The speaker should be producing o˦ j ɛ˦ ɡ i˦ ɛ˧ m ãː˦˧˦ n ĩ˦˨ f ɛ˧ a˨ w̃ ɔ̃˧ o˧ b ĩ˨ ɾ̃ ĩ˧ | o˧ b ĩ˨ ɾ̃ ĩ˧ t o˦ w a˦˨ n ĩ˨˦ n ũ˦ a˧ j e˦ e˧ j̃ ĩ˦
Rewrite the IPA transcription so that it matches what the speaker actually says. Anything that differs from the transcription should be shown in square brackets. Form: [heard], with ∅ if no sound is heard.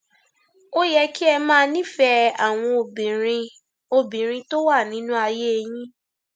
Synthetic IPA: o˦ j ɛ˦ [k] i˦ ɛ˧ m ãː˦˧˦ n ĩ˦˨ f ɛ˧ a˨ w̃ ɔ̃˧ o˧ b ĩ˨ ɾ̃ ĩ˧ | o˧ b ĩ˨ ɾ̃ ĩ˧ t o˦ w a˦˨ n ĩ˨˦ n ũ˦ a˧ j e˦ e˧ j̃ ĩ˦